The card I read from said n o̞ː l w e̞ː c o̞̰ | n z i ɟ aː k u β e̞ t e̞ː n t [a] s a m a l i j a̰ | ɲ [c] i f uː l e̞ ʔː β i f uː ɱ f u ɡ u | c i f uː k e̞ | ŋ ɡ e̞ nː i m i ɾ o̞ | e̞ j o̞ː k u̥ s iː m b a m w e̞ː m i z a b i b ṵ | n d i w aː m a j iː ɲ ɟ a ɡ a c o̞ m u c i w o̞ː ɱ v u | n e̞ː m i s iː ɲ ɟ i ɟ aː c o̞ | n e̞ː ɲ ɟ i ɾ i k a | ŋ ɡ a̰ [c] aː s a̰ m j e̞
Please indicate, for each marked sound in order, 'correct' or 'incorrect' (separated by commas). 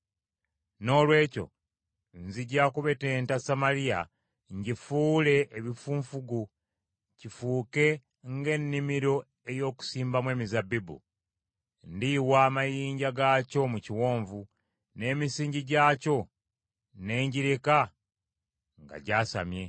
correct, incorrect, incorrect